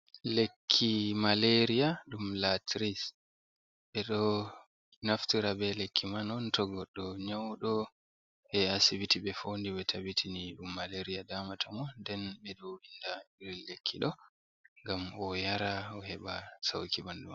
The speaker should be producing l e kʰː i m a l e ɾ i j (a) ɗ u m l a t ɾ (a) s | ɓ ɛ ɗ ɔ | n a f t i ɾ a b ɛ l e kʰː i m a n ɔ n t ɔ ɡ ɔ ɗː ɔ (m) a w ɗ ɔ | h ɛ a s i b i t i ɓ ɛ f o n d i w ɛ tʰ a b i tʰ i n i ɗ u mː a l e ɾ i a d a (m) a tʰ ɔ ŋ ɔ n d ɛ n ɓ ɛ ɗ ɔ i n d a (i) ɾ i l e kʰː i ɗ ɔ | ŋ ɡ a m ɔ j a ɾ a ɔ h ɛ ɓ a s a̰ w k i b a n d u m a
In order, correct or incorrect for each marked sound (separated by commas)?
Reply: correct, incorrect, incorrect, correct, correct